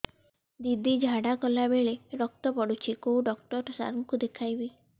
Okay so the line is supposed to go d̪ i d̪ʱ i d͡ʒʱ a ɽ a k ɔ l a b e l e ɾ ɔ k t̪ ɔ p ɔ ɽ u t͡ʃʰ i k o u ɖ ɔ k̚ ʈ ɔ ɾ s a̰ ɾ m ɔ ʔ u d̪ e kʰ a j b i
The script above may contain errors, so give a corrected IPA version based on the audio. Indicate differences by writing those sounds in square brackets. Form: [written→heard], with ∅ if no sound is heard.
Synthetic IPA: d̪ i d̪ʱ i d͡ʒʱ a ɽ a k ɔ l a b e [l→ɭ] e ɾ ɔ k t̪ ɔ p ɔ ɽ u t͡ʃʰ i k o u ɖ ɔ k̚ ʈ ɔ ɾ s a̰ ɾ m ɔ [ʔ→k] u d̪ e kʰ a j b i